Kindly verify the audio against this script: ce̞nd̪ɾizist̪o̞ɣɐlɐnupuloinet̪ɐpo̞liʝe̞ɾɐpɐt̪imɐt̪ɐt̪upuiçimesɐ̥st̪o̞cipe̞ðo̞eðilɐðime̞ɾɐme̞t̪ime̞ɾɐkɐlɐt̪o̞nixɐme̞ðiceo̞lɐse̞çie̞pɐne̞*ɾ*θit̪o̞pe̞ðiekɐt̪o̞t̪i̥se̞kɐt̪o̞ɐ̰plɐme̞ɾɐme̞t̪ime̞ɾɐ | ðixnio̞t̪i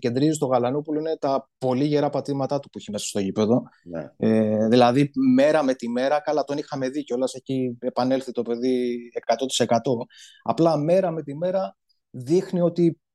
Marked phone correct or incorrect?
incorrect